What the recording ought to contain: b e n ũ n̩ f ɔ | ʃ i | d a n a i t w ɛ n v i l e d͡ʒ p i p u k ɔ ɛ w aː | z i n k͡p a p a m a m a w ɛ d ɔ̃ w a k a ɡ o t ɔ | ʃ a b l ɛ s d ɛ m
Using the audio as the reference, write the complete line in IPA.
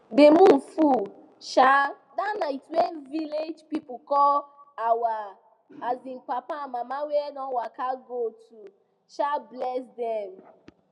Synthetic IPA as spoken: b e m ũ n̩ f u | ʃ a | d a n a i t w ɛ n v i l e d͡ʒ p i p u k ɔ a w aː | z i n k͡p a p a m a m a w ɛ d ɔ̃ w a k a ɡ o t u | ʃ a b l ɛ s d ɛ m